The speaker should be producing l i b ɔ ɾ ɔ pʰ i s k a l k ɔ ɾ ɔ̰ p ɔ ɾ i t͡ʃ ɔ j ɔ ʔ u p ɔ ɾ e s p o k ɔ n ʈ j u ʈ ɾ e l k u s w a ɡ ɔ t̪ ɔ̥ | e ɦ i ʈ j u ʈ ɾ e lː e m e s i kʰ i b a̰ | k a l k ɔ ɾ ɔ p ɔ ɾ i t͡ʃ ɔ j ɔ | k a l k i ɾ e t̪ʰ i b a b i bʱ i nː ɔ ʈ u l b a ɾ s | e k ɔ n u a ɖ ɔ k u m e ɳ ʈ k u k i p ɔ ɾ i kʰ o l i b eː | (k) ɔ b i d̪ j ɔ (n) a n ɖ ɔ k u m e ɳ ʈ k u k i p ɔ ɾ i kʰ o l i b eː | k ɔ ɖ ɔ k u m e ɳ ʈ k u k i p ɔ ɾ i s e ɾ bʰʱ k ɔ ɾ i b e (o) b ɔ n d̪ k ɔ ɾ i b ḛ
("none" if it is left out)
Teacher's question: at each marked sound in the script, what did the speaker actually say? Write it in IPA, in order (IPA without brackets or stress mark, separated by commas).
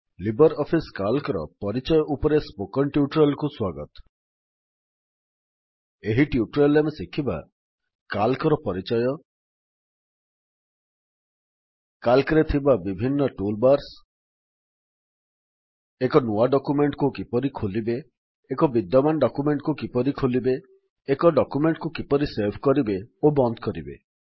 k, m, o